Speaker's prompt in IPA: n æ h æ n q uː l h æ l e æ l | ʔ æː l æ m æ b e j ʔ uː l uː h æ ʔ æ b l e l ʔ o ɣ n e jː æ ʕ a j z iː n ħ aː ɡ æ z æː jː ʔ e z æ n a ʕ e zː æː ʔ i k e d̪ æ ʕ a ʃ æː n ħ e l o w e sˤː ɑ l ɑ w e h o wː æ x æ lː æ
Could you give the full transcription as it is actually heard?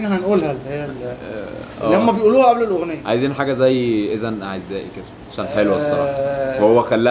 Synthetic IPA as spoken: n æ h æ n ʔ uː l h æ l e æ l | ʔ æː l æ m æ b e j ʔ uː l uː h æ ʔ æ b l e l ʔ o ɣ n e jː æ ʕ a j z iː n ħ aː ɡ æ z æ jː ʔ e z æ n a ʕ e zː æː ʔ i k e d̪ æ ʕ a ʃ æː n ħ e l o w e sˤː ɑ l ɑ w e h o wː æ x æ lː æ